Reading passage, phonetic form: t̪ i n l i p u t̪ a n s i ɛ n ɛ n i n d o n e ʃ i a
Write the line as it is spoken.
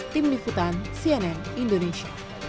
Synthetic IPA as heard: t̪ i m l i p u t̪ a n s i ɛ n ɛ n i n d o n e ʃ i a